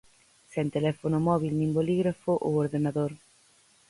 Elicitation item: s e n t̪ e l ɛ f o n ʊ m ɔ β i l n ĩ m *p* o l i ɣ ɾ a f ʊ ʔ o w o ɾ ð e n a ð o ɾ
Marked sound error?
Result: yes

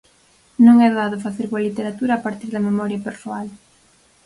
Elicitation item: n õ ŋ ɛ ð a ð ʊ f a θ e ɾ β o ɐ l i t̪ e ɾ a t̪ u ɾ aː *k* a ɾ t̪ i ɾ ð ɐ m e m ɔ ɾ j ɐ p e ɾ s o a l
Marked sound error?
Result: yes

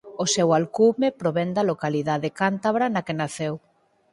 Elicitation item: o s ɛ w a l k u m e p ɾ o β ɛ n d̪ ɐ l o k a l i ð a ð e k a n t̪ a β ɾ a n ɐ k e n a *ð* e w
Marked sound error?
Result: yes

